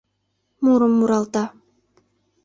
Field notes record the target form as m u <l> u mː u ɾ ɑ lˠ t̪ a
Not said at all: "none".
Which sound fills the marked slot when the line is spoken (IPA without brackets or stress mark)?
ɾ